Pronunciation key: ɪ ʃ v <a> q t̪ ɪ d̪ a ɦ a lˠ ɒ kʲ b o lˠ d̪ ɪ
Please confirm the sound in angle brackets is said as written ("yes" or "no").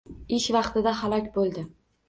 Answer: no